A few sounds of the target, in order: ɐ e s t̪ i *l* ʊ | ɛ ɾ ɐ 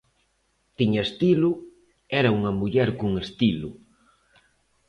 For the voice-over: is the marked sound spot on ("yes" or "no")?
yes